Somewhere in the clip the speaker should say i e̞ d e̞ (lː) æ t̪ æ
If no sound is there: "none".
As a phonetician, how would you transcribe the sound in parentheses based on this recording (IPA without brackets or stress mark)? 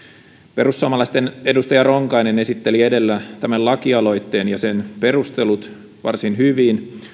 lː